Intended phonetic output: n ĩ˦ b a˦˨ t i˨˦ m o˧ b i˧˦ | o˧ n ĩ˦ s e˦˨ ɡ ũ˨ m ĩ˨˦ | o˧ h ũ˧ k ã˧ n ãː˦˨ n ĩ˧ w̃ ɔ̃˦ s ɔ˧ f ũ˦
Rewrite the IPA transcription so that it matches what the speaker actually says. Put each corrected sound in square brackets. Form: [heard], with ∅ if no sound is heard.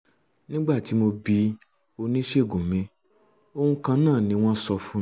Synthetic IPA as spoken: n ĩ˦ [ɡ͡b] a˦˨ t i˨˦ m o˧ b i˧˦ | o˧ n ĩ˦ [ʃ] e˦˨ ɡ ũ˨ m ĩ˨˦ | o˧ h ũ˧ k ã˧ n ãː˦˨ n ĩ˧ w̃ ɔ̃˦ s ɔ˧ f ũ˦